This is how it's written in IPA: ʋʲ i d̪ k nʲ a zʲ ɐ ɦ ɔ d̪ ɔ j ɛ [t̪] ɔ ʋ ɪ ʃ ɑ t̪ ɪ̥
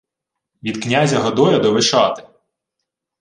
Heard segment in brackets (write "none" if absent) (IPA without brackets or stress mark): d̪